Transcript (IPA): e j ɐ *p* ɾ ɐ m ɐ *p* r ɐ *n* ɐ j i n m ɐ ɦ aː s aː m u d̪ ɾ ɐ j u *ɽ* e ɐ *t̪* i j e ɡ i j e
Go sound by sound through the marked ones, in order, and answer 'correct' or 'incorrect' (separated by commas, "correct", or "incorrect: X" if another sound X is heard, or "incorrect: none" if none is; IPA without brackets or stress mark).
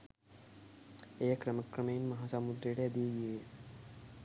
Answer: incorrect: k, incorrect: k, incorrect: m, correct, incorrect: d̪